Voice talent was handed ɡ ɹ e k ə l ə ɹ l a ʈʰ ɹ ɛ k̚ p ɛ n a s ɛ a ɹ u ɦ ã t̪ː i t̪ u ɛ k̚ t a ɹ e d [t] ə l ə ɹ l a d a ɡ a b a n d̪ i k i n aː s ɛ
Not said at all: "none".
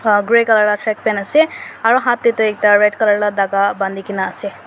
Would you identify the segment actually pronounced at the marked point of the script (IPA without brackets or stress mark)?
k